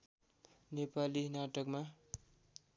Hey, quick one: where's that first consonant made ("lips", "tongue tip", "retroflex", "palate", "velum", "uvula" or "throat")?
tongue tip